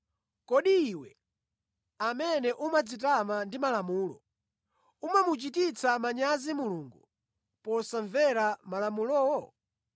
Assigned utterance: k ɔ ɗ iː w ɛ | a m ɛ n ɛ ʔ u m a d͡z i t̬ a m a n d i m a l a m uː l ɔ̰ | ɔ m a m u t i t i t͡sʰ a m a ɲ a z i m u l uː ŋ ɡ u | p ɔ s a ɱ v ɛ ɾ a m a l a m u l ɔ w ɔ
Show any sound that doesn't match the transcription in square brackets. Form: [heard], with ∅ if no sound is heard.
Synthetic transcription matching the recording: k ɔ ɗ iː w ɛ | a m ɛ n ɛ ʔ u m a d͡z i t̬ a m a n d i m a l a m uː l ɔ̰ | [u] m a m u [t͡ʃ] i t i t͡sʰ a m a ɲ a z i m u l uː ŋ ɡ u | p ɔ s a ɱ v ɛ ɾ a m a l a m u l ɔ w ɔ